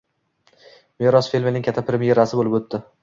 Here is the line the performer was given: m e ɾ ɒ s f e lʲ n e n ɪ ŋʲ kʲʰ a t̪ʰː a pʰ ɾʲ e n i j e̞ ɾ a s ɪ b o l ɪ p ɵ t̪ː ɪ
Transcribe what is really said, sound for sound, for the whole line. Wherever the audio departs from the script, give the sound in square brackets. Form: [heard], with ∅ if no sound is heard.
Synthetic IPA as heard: m e ɾ ɒ s f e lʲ [m] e n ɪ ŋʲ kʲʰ a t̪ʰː a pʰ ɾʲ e [m] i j e̞ ɾ a s ɪ b o l ɪ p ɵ t̪ː ɪ